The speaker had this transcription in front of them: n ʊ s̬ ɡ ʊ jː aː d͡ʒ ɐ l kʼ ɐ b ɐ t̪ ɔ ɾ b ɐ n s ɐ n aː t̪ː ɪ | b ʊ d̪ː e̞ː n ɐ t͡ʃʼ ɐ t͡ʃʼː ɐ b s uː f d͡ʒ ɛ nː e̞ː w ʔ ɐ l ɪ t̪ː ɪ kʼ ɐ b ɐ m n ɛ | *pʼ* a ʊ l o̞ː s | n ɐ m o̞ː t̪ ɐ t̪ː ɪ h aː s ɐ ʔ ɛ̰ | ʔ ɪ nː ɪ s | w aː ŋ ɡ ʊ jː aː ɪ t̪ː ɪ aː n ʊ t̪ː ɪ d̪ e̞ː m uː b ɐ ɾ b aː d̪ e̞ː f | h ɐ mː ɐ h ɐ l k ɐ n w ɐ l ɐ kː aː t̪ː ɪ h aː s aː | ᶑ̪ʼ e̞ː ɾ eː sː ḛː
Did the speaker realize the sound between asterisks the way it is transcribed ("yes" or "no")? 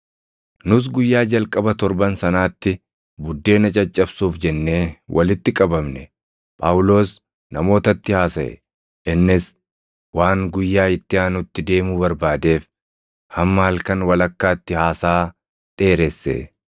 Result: yes